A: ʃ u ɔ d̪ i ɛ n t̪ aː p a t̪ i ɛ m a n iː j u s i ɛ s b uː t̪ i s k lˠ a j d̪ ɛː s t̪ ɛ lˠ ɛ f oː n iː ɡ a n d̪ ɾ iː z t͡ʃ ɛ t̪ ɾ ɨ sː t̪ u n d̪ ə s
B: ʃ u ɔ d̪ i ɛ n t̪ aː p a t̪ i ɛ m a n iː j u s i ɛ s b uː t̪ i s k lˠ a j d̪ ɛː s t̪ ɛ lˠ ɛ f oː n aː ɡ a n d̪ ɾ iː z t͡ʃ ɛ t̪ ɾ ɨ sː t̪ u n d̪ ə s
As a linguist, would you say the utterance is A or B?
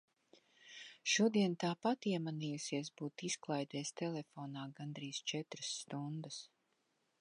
B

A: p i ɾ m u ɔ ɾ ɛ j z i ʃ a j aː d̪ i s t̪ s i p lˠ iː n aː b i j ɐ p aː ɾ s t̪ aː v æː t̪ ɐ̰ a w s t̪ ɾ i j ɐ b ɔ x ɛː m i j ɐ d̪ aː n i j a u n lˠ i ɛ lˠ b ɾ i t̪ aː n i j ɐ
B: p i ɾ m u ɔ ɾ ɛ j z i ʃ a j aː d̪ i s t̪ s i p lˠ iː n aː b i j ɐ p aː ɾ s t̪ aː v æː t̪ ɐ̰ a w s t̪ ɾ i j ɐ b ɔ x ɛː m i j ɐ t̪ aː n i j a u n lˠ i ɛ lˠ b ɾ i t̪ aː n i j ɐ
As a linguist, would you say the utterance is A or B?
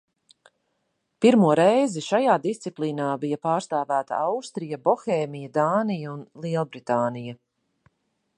A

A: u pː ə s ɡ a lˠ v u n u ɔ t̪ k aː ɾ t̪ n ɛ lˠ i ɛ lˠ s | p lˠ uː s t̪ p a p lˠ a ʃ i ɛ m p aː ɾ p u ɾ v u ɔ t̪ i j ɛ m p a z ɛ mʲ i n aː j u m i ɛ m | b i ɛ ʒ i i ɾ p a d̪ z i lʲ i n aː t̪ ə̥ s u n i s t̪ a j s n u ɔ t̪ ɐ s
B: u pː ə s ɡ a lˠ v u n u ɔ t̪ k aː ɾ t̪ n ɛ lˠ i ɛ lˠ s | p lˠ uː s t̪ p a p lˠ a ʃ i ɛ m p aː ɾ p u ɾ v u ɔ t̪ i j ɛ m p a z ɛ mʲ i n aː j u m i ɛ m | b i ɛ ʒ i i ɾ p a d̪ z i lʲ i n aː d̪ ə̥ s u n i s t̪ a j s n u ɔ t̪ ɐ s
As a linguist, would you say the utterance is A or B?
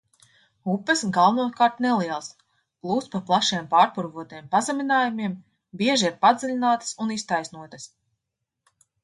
A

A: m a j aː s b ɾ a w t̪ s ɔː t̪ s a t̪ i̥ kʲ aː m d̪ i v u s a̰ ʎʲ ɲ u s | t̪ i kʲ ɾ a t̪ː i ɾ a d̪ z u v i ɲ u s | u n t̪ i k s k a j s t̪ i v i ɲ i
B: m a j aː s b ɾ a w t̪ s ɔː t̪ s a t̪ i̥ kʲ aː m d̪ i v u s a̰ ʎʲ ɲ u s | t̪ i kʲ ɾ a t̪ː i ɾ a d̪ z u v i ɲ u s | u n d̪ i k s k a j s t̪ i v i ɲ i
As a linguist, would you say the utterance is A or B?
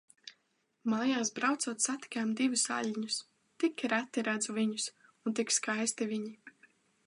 A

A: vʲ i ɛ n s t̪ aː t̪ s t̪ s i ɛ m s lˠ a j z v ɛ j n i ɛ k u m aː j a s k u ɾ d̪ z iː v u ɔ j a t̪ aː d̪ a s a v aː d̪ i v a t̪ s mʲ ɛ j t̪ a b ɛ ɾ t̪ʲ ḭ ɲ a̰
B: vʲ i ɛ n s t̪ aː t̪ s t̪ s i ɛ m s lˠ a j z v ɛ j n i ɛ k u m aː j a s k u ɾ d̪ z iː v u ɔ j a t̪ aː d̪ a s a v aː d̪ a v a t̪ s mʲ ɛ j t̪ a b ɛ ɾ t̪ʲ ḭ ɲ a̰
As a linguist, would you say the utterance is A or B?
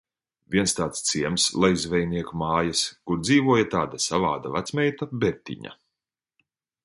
B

